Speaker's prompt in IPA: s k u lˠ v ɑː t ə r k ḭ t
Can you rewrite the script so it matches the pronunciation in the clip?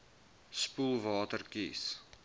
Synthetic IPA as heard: s p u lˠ v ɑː t ə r k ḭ s